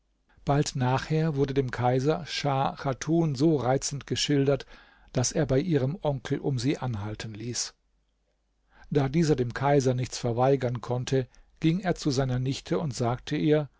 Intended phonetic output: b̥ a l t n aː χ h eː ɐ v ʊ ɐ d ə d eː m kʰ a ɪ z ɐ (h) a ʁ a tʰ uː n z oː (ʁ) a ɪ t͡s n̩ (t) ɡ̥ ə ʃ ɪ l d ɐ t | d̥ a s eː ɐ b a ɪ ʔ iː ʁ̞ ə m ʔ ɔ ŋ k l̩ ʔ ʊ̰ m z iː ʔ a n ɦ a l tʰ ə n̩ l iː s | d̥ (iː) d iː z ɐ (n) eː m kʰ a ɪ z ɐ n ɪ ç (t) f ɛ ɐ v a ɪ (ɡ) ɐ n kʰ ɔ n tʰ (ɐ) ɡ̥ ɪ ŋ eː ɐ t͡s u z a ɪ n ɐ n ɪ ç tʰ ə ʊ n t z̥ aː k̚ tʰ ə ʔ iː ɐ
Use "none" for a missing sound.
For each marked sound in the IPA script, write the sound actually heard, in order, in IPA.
ʃ, ʁ, t, aː, d, t͡s, ɡ, ə

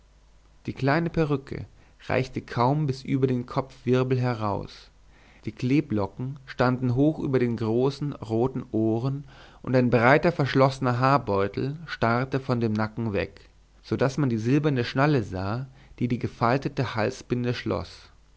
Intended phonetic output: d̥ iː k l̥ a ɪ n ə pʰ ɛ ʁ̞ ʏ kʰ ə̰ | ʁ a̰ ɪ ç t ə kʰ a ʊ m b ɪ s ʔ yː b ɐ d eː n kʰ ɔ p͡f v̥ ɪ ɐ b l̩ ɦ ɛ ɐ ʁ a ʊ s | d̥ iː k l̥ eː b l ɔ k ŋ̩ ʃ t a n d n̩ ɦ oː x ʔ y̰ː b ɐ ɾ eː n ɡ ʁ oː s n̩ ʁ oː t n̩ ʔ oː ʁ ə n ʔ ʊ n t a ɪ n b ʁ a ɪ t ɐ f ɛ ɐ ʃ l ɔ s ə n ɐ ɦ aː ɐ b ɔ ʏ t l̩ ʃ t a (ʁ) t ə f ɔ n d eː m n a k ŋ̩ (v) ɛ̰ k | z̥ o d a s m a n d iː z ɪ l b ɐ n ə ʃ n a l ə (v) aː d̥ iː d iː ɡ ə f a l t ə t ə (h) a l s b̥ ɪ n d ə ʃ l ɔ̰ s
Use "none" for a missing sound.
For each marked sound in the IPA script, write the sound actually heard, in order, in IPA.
ʁ, v, z, h

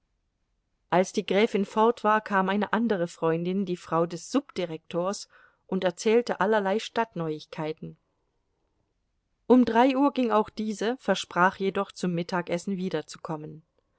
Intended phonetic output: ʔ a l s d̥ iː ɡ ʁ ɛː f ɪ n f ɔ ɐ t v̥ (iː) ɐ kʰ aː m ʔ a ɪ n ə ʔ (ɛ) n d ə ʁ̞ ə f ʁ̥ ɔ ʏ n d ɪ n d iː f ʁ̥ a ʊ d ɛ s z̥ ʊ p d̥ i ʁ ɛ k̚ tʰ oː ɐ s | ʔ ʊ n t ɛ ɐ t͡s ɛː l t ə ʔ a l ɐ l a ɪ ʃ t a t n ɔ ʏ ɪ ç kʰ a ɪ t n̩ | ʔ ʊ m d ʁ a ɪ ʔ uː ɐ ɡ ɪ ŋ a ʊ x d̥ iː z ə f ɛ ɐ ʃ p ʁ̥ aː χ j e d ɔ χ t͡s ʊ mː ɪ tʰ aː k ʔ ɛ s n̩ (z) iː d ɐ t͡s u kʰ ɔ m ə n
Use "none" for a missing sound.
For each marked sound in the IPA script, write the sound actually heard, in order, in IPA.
aː, a, v

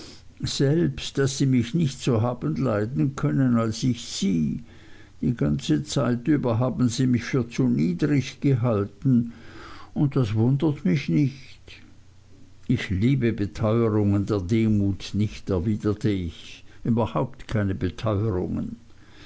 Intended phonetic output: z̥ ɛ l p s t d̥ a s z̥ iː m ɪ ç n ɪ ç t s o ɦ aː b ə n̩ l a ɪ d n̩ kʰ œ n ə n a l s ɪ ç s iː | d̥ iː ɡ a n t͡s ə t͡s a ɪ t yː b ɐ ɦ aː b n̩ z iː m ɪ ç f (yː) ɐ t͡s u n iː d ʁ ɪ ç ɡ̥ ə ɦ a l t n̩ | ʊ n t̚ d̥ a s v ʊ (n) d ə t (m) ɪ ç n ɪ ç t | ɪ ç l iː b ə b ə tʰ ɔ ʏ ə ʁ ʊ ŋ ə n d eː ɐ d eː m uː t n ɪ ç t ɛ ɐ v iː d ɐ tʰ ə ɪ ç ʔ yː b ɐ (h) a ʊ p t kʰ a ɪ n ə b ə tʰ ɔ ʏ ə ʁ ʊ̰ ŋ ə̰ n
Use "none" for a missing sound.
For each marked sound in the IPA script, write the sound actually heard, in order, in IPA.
yː, n, m, h

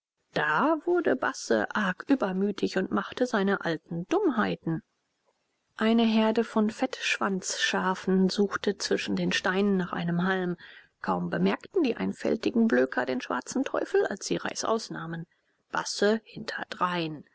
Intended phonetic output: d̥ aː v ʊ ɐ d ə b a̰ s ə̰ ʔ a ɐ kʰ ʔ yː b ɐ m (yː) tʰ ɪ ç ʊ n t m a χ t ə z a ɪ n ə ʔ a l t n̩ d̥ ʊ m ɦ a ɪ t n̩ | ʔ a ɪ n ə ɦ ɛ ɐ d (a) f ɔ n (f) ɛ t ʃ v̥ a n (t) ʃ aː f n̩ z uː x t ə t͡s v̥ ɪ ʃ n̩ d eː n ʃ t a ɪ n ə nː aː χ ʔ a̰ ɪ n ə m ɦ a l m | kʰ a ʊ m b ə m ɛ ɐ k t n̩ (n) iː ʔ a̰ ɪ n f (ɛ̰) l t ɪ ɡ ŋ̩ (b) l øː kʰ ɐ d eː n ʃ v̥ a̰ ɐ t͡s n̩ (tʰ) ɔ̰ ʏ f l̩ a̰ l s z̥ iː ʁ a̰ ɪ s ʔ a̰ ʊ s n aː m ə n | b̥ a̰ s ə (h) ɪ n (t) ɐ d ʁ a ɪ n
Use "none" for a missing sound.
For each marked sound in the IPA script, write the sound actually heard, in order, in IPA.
yː, ə, f, t͡s, d, ɛ̰, b, tʰ, h, tʰ

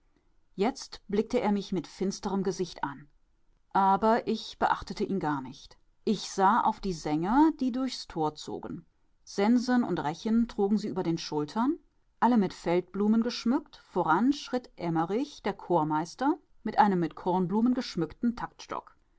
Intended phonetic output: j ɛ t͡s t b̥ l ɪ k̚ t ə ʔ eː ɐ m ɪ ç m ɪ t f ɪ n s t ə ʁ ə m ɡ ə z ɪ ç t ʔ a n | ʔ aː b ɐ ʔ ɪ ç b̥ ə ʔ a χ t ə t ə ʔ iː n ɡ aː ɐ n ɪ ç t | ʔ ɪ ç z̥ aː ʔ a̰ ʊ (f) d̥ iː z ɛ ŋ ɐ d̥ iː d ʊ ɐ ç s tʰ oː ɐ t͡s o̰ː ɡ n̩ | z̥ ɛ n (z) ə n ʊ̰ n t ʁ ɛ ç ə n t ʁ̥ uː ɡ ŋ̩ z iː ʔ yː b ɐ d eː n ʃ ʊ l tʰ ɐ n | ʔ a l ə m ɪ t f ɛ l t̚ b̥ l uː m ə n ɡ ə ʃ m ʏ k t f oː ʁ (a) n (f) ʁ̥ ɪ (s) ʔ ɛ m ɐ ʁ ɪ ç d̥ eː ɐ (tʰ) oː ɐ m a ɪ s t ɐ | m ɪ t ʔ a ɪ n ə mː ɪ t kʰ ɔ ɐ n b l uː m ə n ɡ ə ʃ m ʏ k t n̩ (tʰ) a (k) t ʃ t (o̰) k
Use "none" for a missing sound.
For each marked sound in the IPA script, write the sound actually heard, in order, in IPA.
f, z, a, ʃ, t, kʰ, tʰ, k, ɔ̰

